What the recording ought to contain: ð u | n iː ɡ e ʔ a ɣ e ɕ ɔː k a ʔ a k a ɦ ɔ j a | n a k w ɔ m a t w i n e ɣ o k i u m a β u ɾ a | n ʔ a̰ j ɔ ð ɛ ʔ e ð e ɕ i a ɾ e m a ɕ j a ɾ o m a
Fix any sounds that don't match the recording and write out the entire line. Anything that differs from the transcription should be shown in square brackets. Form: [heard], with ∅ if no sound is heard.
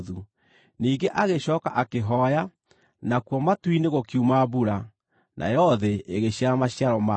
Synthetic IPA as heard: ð u | n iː ɡ e ʔ a ɣ e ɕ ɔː k a ʔ a k [e] ɦ ɔ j a | n a k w ɔ m a t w i n e ɣ o k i u m a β u ɾ a | n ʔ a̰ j ɔ ð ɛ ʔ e [ɣ] e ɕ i a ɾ [a] m a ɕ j a ɾ [ɔ] m a